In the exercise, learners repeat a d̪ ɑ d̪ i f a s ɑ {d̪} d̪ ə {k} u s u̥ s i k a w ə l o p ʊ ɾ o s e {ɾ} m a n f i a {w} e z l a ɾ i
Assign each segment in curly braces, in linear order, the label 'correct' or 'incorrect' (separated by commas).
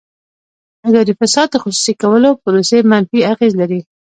correct, incorrect, incorrect, incorrect